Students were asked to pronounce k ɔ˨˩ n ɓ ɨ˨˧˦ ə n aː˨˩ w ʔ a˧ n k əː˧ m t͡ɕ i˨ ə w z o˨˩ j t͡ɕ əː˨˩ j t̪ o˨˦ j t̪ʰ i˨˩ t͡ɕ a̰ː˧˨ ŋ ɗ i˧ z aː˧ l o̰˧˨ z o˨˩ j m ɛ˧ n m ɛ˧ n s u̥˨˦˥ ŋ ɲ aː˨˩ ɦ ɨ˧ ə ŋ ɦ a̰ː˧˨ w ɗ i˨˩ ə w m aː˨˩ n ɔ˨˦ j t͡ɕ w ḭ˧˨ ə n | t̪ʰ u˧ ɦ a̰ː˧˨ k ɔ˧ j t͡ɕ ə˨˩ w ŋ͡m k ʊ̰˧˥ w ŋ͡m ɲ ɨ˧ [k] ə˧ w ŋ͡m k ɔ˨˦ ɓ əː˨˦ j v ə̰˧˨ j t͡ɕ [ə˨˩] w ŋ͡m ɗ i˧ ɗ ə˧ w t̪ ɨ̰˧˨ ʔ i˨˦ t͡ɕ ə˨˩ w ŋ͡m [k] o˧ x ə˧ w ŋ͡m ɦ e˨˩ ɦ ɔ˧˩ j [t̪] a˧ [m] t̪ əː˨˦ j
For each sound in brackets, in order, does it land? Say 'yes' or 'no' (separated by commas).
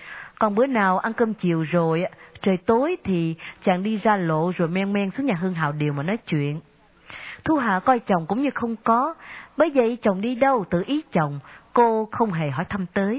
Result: no, yes, yes, no, yes